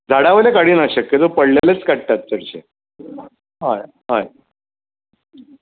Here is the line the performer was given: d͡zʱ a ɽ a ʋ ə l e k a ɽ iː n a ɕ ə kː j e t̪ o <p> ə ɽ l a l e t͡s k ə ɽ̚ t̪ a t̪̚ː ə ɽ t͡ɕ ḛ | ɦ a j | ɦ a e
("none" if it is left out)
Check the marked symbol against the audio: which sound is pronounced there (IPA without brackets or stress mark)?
p